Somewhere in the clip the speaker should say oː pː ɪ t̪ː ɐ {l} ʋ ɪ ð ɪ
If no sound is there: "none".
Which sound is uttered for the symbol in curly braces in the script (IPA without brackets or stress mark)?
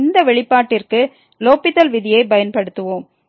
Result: l